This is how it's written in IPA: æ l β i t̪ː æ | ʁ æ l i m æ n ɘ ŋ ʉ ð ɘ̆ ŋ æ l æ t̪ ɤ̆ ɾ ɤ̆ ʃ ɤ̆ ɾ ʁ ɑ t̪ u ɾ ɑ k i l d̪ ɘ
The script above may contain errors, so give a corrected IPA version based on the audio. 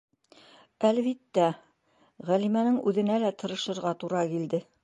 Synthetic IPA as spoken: æ l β i t̪ː æ | ʁ æ l i m æ n ɘ ŋ ʉ ð ɘ̆ n æ l æ t̪ ɤ̆ ɾ ɤ̆ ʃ ɤ̆ ɾ ʁ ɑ t̪ u ɾ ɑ k i l d̪ ɘ